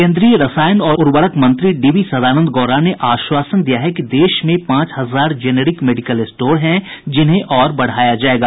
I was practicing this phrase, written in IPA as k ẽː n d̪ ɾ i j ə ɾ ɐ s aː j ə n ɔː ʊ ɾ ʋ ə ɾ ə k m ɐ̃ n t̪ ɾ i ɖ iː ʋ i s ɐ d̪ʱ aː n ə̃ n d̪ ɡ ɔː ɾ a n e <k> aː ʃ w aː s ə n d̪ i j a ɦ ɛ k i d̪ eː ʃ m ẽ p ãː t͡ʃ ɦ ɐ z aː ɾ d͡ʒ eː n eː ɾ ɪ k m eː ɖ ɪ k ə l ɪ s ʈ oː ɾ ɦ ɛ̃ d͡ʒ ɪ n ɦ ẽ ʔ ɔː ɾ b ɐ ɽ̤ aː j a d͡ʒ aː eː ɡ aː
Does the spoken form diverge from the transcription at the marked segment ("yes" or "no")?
yes